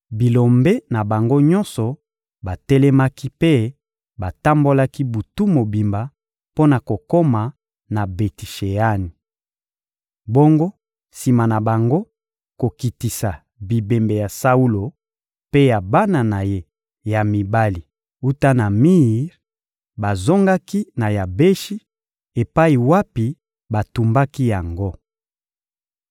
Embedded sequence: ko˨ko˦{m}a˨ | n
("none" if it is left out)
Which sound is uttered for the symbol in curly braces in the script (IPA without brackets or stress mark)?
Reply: m